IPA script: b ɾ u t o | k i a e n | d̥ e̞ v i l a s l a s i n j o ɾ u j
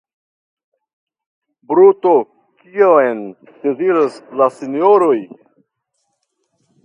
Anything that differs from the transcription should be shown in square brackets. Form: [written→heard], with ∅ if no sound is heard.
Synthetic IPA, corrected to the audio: b ɾ u t o | k i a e n | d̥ e̞ [v→z] i [l→ɾ] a s l a s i n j o ɾ [u→o] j